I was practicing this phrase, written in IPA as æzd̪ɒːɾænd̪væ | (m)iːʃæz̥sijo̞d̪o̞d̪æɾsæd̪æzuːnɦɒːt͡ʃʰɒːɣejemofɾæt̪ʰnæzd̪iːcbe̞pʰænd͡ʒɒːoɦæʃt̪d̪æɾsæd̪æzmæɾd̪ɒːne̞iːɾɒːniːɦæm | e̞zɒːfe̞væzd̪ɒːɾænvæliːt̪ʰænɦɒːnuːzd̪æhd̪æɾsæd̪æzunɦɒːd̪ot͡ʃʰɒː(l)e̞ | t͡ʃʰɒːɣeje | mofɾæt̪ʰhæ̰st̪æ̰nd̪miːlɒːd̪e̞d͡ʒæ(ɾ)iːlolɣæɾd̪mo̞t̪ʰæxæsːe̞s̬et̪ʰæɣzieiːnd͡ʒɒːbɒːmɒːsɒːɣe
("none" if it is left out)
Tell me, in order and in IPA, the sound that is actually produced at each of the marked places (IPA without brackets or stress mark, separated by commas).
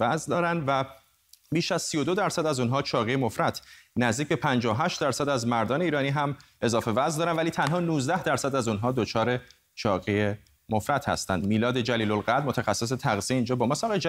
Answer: b, ɾ, l